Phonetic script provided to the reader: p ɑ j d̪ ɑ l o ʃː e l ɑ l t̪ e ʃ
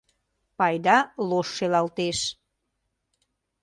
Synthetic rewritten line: p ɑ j d̪ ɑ l o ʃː e l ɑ l t̪ e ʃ